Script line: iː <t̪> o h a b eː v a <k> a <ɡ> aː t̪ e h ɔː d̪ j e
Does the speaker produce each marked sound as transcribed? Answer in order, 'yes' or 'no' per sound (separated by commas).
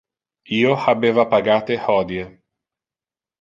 no, no, yes